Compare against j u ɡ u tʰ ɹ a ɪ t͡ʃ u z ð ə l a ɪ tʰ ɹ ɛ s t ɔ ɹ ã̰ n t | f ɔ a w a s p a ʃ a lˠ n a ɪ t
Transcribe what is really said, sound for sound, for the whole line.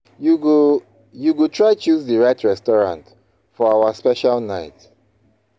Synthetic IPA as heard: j u ɡ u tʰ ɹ a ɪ t͡ʃ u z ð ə ɹ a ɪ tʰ ɹ ɛ s t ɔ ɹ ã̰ n t | f ɔ a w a s p ɛ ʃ a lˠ n a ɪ t